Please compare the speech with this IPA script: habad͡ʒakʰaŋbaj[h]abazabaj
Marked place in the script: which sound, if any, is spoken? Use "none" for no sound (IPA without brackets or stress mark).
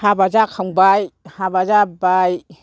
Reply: h